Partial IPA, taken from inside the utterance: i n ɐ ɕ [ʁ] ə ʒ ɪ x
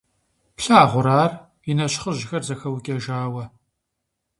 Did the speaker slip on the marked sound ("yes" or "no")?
yes